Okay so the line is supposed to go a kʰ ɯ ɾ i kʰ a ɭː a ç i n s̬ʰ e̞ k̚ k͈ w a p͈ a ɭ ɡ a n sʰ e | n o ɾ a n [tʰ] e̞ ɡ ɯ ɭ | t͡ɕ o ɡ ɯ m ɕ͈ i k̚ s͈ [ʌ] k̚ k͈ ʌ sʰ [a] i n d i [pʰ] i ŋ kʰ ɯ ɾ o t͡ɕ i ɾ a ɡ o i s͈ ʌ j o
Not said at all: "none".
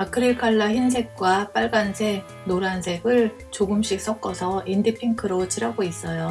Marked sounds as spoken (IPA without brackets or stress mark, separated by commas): sʰ, ʌ, ʌ, pʰ